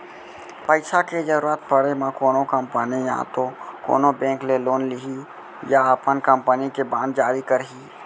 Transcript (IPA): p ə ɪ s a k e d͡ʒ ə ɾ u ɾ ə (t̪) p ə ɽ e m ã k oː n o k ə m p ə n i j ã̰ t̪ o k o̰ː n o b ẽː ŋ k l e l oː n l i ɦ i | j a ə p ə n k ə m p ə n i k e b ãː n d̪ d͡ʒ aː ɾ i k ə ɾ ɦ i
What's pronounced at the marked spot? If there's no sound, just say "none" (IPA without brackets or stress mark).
t̪